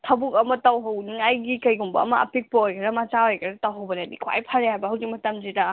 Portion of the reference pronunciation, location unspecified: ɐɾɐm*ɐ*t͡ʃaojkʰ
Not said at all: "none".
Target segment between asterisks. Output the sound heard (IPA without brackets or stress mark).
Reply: a